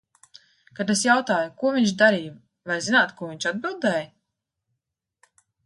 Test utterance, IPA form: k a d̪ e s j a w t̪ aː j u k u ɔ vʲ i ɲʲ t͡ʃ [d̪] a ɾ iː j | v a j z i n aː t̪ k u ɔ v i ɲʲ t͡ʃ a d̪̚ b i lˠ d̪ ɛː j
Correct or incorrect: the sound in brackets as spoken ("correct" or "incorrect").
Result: correct